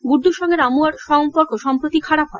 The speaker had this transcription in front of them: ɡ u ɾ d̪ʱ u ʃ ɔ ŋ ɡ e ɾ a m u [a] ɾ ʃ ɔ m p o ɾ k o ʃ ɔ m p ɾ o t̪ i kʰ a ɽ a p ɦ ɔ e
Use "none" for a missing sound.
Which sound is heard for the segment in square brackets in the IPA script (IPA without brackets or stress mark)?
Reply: a